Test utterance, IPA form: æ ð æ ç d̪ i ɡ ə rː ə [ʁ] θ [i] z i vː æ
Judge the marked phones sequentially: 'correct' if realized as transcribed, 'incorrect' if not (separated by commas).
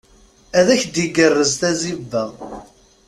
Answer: incorrect, incorrect